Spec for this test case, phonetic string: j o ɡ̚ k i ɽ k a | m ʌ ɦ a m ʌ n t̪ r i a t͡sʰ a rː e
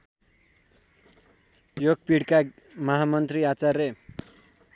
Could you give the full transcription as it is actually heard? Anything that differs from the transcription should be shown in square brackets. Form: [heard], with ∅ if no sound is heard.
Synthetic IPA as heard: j o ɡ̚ [p] i ɽ k a | m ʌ ɦ a m ʌ n t̪ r i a [t͡s] a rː e